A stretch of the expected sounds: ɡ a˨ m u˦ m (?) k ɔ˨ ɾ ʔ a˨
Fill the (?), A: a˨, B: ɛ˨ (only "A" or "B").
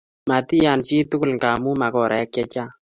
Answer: A